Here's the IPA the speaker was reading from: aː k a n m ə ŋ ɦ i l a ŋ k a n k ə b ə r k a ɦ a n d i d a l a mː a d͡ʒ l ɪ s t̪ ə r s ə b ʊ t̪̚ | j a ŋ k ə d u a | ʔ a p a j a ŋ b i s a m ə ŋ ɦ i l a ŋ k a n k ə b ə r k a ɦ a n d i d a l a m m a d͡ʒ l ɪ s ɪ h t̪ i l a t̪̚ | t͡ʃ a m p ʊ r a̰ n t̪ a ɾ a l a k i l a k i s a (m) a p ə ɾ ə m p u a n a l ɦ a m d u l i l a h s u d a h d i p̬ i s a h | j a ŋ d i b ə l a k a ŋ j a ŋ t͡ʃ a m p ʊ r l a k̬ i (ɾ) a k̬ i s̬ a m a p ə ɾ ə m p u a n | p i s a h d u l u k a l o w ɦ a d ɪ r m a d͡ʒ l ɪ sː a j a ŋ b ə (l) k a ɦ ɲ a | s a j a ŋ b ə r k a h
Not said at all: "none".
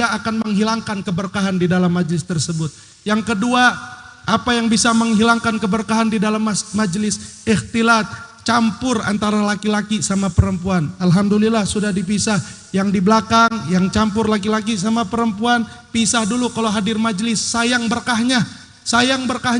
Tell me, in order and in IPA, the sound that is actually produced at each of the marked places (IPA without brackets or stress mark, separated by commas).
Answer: m, l, r